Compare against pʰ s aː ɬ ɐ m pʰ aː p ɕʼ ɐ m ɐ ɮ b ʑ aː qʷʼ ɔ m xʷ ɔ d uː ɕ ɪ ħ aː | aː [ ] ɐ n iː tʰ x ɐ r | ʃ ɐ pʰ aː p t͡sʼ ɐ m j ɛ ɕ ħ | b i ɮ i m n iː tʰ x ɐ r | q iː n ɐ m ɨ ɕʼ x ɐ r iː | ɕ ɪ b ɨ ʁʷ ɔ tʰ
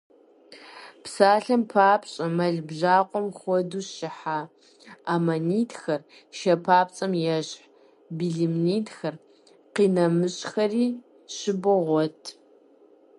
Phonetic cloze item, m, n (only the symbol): m